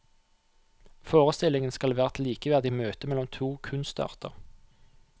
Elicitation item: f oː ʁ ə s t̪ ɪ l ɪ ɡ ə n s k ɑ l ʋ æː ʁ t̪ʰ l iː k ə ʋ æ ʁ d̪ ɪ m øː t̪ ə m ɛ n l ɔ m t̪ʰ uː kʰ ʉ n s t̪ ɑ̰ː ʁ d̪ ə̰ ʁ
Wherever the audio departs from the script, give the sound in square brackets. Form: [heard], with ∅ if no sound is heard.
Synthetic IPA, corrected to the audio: f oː ʁ ə s t̪ ɪ l ɪ [ŋ] ə n s k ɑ l ʋ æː ʁ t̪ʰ l iː k ə ʋ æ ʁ d̪ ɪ m øː t̪ ə m ɛ [∅] l ɔ m t̪ʰ uː kʰ ʉ n s t̪ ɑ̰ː ʁ [t̪] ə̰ ʁ